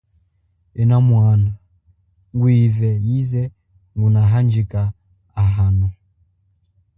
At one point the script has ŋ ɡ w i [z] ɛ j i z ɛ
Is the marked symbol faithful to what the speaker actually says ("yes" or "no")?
no